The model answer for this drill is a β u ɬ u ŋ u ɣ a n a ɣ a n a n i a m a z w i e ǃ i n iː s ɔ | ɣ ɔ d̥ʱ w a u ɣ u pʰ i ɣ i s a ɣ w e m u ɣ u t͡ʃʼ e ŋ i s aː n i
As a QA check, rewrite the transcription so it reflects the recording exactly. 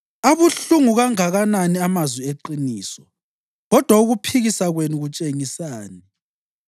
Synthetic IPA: a β u ɬ u ŋ u ɣ a ŋ a ɣ a n a n i a m a z w i e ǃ i n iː s ɔ | ɣ ɔ d̥ʱ w a u ɣ u pʰ i ɣ i s a ɣ w e n u ɣ u t͡ʃʼ e ŋ i s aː n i